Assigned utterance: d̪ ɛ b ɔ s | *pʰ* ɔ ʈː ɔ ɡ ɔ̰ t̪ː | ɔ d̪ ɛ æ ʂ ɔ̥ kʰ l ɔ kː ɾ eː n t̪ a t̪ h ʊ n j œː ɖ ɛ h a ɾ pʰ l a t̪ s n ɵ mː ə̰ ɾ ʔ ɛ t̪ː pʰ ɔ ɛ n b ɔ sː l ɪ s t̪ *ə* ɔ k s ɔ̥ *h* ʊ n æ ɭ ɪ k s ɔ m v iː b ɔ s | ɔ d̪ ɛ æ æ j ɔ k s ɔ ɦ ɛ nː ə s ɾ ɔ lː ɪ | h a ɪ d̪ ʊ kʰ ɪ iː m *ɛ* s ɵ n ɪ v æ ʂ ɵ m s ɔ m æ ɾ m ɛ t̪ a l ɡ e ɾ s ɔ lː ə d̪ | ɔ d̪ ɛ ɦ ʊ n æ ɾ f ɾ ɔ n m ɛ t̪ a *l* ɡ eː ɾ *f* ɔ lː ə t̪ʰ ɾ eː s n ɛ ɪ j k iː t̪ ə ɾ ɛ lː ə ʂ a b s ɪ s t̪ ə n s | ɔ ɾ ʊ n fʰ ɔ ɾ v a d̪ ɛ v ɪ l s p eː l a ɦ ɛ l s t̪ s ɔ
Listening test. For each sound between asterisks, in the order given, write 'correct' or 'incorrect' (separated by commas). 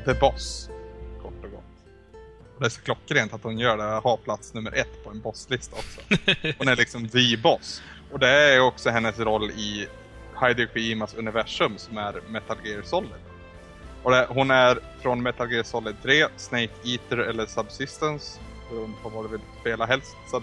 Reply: incorrect, incorrect, correct, incorrect, correct, incorrect